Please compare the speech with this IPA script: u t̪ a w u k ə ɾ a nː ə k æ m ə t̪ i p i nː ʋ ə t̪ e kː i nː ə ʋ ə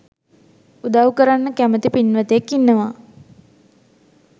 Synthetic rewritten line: u d̪ a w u k ə ɾ a nː ə k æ m ə t̪ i p i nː ʋ ə t̪ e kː i nː ə ʋ a

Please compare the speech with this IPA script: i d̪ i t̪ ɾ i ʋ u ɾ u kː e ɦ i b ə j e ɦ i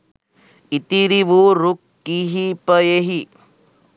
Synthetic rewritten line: i t̪ i ɾ i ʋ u ɾ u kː i ɦ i p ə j e ɦ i

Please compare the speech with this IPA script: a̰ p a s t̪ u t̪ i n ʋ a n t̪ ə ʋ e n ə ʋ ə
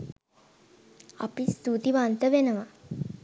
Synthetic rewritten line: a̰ p i s t̪ u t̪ i ʋ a n t̪ ə ʋ e n ə ʋ a

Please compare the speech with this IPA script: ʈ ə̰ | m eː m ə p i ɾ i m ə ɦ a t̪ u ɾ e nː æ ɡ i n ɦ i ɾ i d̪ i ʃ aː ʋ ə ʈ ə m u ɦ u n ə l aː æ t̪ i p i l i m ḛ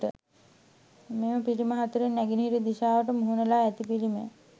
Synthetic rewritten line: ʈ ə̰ | m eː m ə p i l i m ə ɦ a t̪ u ɾ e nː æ ɡ i n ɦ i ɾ i d̪ i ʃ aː ʋ ə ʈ ə m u ɦ u n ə l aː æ t̪ i p i l i m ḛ

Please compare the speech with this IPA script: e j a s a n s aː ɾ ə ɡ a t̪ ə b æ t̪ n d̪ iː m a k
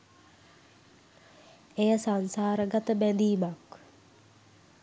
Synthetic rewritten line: e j ə s a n s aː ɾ ə ɡ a t̪ ə b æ n d̪ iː m a k

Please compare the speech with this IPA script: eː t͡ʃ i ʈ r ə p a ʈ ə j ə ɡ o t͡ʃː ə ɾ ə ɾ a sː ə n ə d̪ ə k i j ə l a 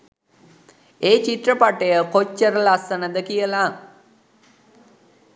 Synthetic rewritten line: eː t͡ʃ i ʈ r ə p a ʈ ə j ə k o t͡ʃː ə ɾ ə l a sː ə n ə d̪ ə k i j ə l a

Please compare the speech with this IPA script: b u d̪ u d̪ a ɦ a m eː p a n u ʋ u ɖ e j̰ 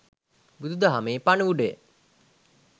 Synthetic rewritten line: b u d̪ u d̪ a ɦ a m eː p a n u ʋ u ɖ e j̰

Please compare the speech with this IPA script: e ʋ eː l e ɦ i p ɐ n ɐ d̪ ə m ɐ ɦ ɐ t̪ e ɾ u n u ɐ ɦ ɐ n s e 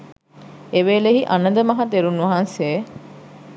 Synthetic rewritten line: e ʋ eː l e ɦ i ʔ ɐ n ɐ d̪ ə m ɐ ɦ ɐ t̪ e ɾ u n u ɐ ɦ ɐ n s e

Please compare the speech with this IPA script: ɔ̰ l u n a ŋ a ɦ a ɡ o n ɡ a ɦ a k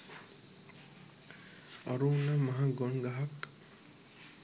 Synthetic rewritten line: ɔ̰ ɾ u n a m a ɦ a ɡ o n ɡ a ɦ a k

